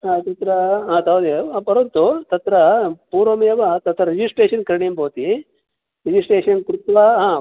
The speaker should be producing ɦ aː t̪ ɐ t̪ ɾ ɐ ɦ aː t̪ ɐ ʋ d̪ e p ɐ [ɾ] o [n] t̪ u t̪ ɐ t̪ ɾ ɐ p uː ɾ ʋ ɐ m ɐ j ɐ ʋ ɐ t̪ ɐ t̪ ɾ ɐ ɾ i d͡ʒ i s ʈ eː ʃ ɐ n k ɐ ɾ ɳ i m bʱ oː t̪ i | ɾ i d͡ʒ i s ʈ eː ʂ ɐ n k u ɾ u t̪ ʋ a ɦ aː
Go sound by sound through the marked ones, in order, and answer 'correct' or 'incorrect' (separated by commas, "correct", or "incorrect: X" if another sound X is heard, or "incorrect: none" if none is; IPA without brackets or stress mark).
correct, correct